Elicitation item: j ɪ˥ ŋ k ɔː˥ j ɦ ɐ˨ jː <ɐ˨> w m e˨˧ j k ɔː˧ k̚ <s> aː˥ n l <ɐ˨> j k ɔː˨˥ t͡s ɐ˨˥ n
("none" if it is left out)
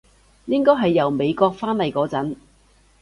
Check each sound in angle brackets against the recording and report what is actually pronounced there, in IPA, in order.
ɐ˨, f, ɐ˨

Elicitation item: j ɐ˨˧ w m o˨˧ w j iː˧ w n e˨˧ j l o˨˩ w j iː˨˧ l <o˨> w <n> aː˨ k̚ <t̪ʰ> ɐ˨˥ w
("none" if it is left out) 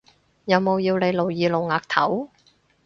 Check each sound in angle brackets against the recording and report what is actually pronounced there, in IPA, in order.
o˨, ŋ, t̪ʰ

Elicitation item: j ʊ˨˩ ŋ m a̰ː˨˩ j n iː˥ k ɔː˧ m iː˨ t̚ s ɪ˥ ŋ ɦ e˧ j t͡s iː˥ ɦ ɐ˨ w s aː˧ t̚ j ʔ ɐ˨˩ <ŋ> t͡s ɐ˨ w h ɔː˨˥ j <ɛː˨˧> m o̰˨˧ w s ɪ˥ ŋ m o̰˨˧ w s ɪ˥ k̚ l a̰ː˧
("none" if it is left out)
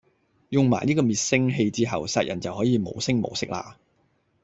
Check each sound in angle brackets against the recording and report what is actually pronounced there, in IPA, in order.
n, iː˨˧

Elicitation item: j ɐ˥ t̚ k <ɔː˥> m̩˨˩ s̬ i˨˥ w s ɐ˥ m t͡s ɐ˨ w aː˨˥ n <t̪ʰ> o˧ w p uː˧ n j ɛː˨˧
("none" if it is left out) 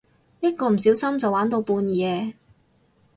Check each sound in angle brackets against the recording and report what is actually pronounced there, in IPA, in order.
ɔː˧, t̪

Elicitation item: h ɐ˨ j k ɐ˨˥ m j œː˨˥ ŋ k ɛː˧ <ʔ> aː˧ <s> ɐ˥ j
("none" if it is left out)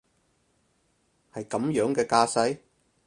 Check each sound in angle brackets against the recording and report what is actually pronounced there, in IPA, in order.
k, s

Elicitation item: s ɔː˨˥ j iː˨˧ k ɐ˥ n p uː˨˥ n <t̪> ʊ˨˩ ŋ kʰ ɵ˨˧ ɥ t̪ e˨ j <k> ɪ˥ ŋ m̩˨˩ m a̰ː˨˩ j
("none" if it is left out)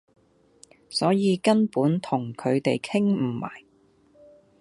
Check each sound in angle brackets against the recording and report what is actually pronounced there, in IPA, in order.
t̪ʰ, kʰ

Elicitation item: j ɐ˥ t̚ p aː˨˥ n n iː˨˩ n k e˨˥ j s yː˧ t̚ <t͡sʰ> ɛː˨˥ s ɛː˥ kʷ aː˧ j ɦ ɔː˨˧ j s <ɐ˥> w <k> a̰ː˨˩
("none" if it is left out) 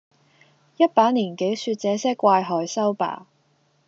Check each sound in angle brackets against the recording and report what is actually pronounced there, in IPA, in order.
t͡s, ɐ˥, p

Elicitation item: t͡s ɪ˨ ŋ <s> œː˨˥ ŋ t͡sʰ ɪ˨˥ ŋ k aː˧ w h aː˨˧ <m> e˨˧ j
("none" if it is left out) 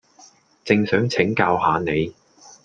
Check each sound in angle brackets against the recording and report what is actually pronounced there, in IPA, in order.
s, n

